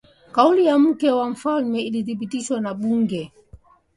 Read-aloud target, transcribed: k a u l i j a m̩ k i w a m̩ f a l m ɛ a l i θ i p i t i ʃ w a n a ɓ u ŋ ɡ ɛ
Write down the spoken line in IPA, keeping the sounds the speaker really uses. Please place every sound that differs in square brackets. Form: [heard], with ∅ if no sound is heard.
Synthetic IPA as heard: k a u l i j a m̩ k [ɛ] w a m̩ f a l m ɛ [i] l i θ i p i t i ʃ w a n a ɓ u ŋ ɡ ɛ

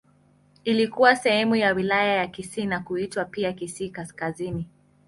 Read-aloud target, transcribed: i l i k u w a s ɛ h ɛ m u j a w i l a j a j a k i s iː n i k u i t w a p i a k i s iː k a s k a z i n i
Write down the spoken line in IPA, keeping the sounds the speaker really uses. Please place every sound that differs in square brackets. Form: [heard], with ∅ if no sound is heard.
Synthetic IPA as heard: i l i k u w a s ɛ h ɛ m u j a w i l a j a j a k i s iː n [a] k u i t w a p i a k i s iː k a s k a z i n i

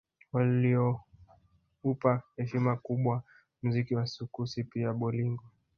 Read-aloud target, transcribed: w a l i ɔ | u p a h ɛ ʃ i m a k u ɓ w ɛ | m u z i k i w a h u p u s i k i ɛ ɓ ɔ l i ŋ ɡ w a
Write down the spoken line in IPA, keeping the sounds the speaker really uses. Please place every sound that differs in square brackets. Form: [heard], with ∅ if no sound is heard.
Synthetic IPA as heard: w a l i ɔ | u p a h ɛ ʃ i m a k u ɓ w [a] | m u z i k i w a [s] u [k] u s i [p] i [a] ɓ ɔ l i ŋ ɡ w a

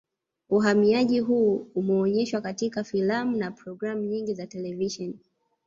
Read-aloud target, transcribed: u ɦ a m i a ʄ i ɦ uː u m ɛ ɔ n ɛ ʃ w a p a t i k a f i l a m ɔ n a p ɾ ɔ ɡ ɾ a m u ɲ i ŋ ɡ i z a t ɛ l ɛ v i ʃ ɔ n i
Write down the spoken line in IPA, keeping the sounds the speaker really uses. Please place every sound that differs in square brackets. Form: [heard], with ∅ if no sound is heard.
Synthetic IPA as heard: u ɦ a m i a ʄ i ɦ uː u m ɛ ɔ [ɲ] ɛ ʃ w a [k] a t i k a f i l a m [u] n a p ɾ ɔ ɡ ɾ a m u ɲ i ŋ ɡ i z a t ɛ l ɛ v i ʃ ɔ n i

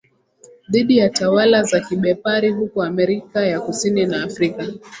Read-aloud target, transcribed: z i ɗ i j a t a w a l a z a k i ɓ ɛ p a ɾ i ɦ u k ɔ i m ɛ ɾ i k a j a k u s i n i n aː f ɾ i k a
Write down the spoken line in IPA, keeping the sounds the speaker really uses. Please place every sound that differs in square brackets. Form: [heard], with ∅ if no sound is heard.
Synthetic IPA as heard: [ð] i ɗ i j a t a w a l a z a k i ɓ ɛ p a ɾ i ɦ u k ɔ [a] m ɛ ɾ i k a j a k u s i n i n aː f ɾ i k a

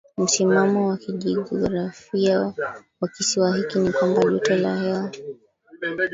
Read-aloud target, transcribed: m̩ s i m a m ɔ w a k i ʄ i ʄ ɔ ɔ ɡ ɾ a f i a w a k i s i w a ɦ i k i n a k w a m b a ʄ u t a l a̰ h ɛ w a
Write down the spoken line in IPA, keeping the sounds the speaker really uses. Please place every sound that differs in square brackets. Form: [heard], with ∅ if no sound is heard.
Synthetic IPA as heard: m̩ s i m a m ɔ w a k i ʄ i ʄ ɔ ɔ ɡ ɾ a f i a w a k i s i w a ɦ i k i n [i] k w a m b a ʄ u t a l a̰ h ɛ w a

